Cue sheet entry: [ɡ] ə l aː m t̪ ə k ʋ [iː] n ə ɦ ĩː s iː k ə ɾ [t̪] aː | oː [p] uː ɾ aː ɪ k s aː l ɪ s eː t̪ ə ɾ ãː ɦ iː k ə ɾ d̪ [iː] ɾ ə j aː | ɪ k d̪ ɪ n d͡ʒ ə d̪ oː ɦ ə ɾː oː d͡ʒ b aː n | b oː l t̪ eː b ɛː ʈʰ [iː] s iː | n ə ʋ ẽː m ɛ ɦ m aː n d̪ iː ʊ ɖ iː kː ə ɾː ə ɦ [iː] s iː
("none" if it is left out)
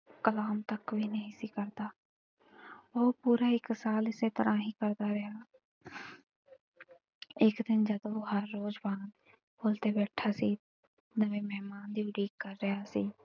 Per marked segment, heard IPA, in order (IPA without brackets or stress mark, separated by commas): k, iː, d̪, p, aː, aː, aː